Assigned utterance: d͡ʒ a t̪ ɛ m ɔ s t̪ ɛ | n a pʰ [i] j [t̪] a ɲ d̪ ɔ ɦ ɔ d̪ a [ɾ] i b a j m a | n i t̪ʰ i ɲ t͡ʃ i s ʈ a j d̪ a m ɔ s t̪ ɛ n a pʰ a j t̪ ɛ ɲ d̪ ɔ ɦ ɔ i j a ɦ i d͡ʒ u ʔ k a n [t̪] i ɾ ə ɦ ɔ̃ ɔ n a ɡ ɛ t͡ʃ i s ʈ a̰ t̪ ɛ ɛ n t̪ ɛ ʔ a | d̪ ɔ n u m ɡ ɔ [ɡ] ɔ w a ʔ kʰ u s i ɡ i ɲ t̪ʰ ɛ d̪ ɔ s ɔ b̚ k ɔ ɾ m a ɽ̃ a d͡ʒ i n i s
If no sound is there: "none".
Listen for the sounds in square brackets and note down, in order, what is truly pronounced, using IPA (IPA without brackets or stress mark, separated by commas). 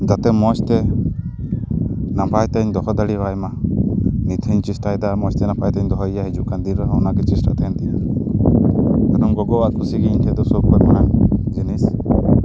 a, t̪, ɽ, d̪, ɡ